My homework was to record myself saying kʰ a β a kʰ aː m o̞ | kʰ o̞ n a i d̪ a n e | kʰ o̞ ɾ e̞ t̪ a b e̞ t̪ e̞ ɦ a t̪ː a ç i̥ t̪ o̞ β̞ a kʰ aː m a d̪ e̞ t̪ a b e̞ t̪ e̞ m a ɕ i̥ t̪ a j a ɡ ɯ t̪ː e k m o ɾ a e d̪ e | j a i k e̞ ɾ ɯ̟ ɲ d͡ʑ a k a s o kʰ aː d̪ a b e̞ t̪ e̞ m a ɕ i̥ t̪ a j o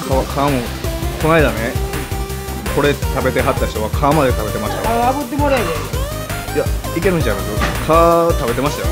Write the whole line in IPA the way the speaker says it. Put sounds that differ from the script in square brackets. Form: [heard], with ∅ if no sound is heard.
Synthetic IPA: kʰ a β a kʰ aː m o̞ | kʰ o̞ n a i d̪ a n e | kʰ o̞ ɾ e̞ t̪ a b e̞ t̪ e̞ ɦ a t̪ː a ç i̥ t̪ o̞ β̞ a kʰ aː m a d̪ e̞ t̪ a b e̞ t̪ e̞ m a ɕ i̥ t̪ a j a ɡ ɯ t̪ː e [∅] m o ɾ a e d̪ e | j a i k e̞ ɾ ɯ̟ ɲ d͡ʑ a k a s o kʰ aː [t̪] a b e̞ t̪ e̞ m a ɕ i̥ t̪ a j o